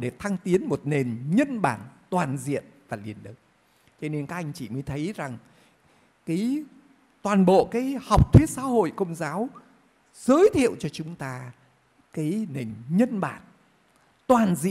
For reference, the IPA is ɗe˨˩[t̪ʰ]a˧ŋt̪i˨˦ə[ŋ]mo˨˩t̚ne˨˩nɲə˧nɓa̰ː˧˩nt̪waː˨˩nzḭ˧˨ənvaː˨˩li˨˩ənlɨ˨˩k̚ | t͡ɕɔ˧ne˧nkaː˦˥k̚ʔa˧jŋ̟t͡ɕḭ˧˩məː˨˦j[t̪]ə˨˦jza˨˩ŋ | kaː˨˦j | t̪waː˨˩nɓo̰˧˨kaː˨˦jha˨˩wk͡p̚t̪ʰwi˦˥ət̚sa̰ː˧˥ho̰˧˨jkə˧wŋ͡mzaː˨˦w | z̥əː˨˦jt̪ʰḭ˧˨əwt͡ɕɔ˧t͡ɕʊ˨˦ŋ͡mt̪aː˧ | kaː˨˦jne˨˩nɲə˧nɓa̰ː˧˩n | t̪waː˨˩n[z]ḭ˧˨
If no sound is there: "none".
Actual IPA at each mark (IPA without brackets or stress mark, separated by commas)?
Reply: t̪ʰ, n, t̪ʰ, z